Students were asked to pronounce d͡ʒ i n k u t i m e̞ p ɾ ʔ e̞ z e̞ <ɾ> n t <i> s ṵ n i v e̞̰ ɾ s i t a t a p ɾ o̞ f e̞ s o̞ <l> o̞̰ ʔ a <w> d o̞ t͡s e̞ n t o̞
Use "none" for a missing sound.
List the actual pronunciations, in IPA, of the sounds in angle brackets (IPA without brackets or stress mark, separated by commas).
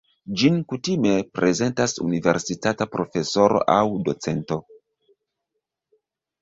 none, a, ɾ, w